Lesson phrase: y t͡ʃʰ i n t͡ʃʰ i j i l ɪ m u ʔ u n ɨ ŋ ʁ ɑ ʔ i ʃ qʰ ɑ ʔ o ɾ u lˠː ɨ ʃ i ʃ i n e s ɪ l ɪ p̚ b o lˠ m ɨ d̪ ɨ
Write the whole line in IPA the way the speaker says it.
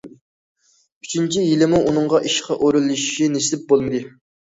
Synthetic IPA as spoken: y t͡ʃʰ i n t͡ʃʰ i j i l ɪ m u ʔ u n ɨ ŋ ʁ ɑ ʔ i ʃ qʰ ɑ ʔ o ɾ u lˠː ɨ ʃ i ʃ i n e s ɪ l ɪ p̚ b o lˠ m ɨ d̪ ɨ